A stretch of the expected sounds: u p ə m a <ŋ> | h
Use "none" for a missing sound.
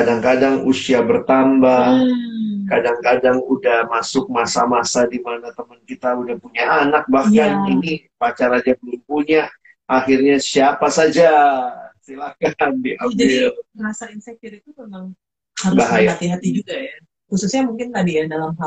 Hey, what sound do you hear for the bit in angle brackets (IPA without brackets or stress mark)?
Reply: ŋ